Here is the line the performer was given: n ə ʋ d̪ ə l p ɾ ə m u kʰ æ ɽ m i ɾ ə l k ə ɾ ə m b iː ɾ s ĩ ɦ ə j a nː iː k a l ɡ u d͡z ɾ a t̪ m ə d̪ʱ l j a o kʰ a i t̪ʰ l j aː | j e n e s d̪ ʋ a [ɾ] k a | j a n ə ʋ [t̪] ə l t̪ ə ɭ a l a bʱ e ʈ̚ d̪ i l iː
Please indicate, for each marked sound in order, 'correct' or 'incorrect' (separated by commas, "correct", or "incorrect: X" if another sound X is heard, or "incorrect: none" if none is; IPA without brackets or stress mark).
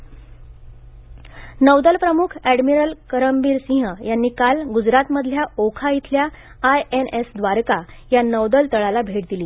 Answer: correct, incorrect: d̪